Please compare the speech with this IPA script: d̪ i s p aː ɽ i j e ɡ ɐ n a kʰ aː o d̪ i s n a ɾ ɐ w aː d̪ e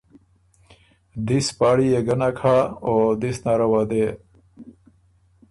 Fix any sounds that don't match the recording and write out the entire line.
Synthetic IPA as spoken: d̪ i s p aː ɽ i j e ɡ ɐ n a kʰ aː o d̪ i s n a ɾ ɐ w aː d̪ e